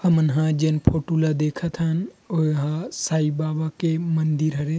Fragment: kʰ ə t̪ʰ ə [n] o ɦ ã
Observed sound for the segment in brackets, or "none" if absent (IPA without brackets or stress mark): n